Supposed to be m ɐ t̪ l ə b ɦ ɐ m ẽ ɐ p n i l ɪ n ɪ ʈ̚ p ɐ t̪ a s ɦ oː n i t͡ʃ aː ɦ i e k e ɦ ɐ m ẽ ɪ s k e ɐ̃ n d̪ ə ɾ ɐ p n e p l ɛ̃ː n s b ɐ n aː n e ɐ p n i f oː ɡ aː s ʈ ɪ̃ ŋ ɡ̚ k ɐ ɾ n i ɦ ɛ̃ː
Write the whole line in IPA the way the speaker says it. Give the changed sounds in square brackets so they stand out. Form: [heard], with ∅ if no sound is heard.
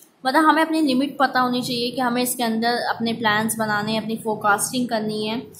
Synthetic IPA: m ɐ t̪ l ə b ɦ ɐ m ẽ ɐ p n i l ɪ [m] ɪ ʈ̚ p ɐ t̪ a [∅] ɦ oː n i t͡ʃ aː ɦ i e k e ɦ ɐ m ẽ ɪ s k e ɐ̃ n d̪ ə ɾ ɐ p n e p l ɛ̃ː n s b ɐ n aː n e ɐ p n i f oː [k] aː s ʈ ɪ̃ ŋ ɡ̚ k ɐ ɾ n i ɦ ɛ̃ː